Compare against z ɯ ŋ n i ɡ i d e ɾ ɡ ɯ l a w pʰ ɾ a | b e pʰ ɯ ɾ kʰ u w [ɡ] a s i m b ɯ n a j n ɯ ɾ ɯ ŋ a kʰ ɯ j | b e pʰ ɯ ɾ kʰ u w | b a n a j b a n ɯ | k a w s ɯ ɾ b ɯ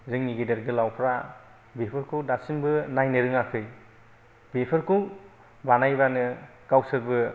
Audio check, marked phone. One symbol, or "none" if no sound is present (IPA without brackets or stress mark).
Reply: d